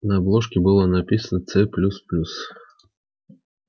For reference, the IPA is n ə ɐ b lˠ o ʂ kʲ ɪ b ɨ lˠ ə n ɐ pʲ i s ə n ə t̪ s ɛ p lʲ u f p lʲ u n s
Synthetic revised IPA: n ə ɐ b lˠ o ʂ kʲ ɪ b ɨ lˠ ə n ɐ pʲ i s ə n ə t̪ s ɛ p lʲ u s p lʲ u s